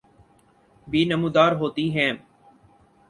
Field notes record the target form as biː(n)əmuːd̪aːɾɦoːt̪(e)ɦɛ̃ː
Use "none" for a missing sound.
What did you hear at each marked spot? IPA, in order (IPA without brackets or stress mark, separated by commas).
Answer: n, i